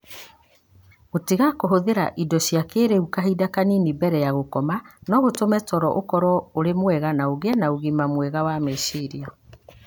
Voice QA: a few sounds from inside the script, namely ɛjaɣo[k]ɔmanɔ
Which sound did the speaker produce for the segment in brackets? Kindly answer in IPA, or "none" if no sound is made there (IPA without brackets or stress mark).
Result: k